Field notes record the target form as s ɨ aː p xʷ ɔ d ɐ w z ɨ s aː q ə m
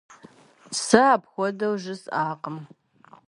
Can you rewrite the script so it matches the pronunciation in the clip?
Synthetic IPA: s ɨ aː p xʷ ɔ d ɐ w ʒ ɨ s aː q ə m